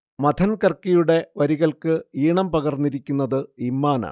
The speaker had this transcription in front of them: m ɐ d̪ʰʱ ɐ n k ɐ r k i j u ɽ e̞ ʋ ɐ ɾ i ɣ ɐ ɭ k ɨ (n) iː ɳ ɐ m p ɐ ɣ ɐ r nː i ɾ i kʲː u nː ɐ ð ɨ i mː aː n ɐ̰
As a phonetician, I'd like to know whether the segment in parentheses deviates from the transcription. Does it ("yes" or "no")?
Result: yes